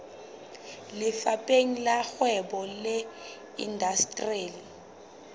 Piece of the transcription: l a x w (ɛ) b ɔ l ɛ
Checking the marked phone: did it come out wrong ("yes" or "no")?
no